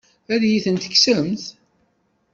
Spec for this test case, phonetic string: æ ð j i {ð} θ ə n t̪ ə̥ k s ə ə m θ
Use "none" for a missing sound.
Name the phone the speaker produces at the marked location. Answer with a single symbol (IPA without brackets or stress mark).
none